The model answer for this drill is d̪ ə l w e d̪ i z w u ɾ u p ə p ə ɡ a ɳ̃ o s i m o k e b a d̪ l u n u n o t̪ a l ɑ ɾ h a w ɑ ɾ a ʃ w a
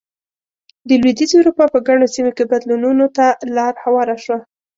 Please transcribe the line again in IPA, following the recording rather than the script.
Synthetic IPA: d̪ ə l w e d̪ i z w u ɾ u p ɑ p ə ɡ a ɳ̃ o s i m o k e b a d̪ l u n u n o t̪ a l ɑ ɾ h a w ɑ ɾ a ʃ w a